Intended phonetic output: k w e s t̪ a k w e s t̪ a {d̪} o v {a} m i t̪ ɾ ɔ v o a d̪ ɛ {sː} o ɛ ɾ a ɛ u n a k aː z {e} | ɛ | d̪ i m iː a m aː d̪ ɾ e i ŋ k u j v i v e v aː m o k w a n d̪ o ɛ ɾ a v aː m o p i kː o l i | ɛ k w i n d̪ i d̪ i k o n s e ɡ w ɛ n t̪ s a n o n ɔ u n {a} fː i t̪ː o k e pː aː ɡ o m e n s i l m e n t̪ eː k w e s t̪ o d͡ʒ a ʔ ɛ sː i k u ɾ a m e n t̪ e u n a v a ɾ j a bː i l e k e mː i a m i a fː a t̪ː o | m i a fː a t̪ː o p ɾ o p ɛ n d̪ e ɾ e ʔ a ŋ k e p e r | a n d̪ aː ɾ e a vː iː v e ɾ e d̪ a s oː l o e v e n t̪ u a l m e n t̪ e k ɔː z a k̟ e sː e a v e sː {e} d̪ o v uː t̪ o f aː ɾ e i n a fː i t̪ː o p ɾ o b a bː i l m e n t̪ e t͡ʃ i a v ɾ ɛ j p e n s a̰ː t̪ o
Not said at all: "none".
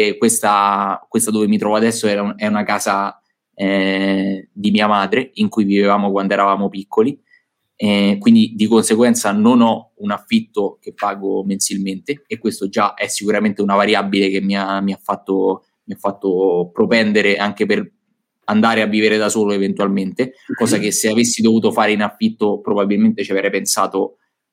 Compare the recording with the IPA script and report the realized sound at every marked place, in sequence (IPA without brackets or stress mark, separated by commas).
d̪, e, sː, a, a, i